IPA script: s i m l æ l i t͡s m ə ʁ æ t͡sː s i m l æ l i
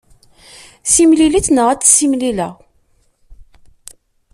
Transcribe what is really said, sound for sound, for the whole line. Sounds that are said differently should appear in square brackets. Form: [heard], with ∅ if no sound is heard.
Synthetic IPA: s i m l [i] l i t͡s [n] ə ʁ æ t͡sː s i m l [i] l [æ]